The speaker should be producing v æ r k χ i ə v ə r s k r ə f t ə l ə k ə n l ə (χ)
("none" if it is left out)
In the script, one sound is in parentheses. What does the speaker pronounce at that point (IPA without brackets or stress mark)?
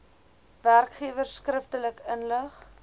χ